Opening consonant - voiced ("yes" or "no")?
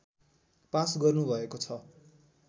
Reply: no